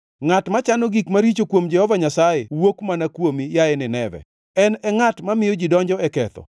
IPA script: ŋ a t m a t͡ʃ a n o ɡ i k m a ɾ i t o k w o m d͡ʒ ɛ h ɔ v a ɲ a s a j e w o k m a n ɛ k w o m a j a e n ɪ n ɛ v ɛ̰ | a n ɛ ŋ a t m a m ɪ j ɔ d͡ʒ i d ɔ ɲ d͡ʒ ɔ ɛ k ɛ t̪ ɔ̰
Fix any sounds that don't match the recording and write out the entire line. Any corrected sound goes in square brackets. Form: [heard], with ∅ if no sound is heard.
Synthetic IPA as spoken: ŋ a t m a t͡ʃ a n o ɡ i k m a ɾ i [t͡ʃ] o k w o m d͡ʒ ɛ h ɔ v a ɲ a s a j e w o k m a n [a] k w o m [i] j a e n ɪ n ɛ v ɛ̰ | [ɛ] n ɛ ŋ a t m a m ɪ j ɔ d͡ʒ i d ɔ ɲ d͡ʒ ɔ ɛ k ɛ t̪ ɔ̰